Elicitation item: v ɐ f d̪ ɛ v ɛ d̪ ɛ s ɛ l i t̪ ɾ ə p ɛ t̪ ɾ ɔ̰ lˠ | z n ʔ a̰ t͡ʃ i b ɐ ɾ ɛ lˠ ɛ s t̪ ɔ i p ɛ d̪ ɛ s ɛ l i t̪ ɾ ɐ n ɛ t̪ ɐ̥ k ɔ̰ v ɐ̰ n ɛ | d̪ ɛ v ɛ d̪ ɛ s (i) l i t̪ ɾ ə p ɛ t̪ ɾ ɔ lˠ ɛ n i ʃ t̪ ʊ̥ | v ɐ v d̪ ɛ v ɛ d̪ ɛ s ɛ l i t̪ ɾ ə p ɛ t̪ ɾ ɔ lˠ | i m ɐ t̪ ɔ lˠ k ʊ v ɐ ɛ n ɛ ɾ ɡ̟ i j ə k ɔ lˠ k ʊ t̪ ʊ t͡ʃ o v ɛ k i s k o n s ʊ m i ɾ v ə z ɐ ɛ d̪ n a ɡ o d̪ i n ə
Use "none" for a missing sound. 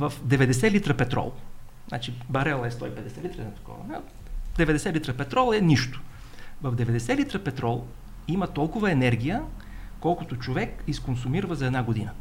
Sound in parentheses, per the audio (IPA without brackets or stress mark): ɛ